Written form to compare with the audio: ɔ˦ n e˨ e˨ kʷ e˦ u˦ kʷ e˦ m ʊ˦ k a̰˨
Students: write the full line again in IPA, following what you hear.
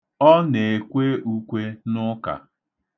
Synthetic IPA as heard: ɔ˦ n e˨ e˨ kʷ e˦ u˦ kʷ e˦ n ʊ˦ k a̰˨